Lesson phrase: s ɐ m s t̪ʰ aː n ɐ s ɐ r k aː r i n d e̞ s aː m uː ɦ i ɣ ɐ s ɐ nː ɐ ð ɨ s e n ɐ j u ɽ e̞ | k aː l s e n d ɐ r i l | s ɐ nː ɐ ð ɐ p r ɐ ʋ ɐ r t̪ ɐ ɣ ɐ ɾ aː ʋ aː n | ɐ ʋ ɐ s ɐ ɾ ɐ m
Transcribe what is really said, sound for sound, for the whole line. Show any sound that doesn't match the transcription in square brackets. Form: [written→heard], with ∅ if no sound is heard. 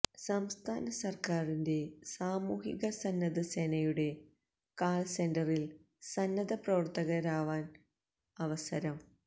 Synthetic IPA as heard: s ɐ m s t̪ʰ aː n ɐ s ɐ r k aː r i n d e̞ s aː m uː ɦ i ɣ ɐ s ɐ nː ɐ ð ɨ s e n ɐ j u ɽ e̞ | k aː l s e n d ɐ r i l | s ɐ nː ɐ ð ɐ p r ɐ ʋ ɐ r t̪ ɐ ɣ ɐ ɾ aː ʋ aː n | ɐ ʋ ɐ s ɐ ɾ ɐ m